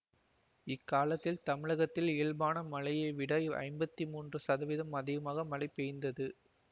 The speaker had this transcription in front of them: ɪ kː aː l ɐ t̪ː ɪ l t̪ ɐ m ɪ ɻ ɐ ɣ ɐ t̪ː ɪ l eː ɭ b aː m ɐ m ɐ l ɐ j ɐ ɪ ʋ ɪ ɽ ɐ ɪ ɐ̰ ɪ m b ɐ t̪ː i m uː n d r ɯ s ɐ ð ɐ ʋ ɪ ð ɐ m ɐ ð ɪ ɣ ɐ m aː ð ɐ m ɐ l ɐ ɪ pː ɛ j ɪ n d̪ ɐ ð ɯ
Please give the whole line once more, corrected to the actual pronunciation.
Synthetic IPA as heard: ɪ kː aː l ɐ t̪ː ɪ l t̪ ɐ m ɪ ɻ ɐ ɣ ɐ t̪ː ɪ l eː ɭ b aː n ɐ m ɐ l ɐ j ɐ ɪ ʋ ɪ ɽ ɐ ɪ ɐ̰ ɪ m b ɐ t̪ː i m uː n d r ɯ s ɐ ð ɐ ʋ ɪ ð ɐ m ɐ ð ɪ ɣ ɐ m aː ɣ ɐ m ɐ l ɐ ɪ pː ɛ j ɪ n d̪ ɐ ð ɯ